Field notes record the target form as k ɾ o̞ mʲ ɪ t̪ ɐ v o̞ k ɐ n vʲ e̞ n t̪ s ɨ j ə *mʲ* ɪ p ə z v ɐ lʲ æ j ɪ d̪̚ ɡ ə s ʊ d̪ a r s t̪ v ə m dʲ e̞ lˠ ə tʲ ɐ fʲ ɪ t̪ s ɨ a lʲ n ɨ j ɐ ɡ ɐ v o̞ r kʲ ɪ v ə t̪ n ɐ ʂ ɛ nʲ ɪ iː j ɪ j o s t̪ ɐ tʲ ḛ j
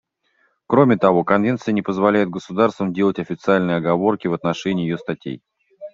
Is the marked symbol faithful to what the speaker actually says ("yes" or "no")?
no